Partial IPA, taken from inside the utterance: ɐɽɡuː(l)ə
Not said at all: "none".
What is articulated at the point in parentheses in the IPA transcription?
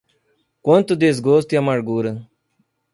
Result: ɾ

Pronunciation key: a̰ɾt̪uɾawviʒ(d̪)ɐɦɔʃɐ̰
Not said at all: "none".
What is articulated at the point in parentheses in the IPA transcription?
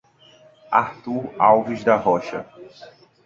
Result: d̪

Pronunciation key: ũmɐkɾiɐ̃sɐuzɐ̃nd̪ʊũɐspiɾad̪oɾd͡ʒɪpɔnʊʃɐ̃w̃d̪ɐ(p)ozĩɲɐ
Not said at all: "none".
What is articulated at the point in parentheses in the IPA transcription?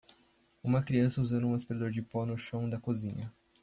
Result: k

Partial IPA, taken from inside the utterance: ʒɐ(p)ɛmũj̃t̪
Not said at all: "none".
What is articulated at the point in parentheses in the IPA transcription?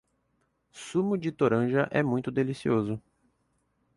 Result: ʔ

